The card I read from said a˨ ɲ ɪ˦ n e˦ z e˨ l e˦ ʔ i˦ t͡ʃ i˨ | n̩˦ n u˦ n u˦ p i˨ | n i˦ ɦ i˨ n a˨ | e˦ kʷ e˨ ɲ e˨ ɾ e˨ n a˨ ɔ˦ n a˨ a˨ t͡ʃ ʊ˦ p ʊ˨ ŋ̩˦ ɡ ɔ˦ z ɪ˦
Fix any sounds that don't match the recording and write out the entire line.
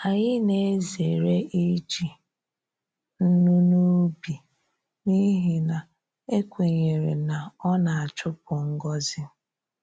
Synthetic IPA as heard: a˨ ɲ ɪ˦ n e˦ z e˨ ɾ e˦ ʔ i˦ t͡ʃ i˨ | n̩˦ n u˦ n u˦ b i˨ | n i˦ ɦ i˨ n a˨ | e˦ kʷ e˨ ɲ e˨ ɾ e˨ n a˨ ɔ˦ n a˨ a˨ t͡ʃ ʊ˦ p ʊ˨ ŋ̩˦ ɡ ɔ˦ z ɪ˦